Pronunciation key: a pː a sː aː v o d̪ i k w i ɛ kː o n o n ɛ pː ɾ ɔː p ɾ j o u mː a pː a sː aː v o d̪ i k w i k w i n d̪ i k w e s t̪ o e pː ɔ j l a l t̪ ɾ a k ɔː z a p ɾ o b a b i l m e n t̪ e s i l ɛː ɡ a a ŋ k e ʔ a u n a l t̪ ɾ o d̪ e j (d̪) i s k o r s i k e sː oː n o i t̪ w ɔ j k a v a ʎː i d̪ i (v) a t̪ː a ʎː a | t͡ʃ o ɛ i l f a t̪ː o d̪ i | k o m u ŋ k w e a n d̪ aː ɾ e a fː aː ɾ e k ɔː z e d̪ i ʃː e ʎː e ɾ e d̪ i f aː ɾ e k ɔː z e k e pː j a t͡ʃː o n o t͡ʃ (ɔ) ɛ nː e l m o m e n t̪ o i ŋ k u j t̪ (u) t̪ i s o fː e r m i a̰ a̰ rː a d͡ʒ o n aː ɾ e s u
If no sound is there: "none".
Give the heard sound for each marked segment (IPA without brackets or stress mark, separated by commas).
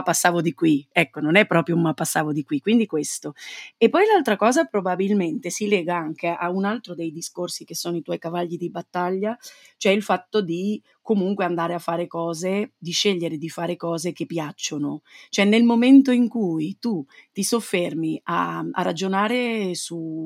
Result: d̪, b, o, u